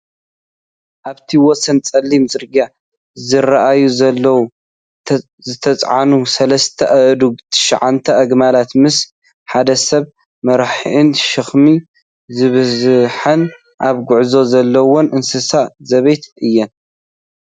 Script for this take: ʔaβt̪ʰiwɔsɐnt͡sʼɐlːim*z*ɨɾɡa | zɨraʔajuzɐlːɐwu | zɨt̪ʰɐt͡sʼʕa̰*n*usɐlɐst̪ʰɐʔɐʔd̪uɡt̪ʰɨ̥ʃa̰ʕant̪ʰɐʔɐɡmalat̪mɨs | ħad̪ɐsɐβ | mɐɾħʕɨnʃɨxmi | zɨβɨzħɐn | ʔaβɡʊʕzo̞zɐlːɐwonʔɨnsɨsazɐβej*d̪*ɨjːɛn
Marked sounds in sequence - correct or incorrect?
correct, correct, incorrect: t̪

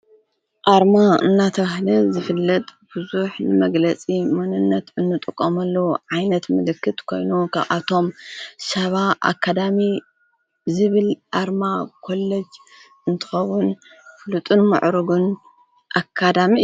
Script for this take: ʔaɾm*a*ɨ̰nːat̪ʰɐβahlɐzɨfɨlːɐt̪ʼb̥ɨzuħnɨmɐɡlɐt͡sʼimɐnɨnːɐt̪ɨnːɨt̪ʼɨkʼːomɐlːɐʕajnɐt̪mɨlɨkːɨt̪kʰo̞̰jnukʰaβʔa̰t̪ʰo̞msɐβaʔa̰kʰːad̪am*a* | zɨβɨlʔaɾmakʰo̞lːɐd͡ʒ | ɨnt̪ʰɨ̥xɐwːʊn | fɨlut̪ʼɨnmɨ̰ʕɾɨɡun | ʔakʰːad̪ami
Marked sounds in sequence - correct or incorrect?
correct, incorrect: i

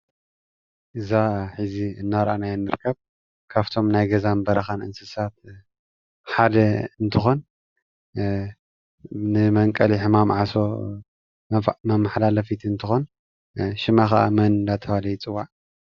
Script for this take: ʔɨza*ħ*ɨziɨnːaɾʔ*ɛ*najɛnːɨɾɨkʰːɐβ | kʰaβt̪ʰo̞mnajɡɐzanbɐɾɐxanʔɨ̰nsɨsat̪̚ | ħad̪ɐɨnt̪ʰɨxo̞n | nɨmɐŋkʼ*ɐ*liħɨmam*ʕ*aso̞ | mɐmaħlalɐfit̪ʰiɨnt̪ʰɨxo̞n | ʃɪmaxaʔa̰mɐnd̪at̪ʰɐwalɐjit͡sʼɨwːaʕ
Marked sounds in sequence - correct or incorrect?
correct, incorrect: a, correct, correct

